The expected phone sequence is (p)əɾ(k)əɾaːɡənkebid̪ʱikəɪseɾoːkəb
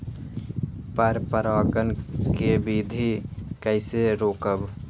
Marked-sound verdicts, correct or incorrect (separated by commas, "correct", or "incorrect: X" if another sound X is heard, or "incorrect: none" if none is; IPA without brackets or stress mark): correct, incorrect: p